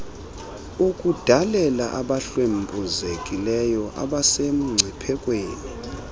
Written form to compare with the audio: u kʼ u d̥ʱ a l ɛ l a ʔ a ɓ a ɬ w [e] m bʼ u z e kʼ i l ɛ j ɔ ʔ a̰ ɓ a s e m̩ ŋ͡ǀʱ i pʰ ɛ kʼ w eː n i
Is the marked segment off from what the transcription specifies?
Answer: no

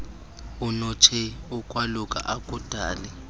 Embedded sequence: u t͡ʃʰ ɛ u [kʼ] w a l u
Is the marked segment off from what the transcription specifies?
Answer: no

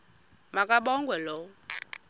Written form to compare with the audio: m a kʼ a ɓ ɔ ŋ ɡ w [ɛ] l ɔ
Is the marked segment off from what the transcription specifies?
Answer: no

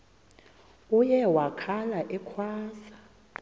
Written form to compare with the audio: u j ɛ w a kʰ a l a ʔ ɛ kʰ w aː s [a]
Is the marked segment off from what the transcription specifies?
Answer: no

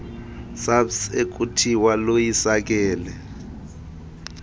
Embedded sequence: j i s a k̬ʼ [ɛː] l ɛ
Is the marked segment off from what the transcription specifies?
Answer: no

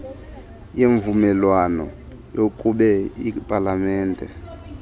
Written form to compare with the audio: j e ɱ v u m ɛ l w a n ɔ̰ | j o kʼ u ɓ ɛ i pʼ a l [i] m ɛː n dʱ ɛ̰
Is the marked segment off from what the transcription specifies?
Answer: yes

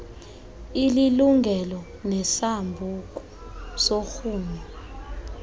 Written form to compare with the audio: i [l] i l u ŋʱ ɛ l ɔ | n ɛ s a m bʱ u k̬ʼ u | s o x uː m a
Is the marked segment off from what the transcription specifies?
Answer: no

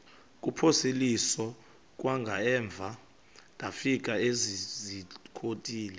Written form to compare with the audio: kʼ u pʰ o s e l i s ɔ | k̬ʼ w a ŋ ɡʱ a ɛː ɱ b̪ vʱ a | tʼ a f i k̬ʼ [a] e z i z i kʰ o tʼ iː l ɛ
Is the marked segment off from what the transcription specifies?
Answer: no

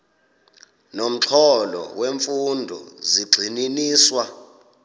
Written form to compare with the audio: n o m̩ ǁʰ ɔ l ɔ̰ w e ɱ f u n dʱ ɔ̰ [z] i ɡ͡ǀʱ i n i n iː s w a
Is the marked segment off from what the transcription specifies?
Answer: no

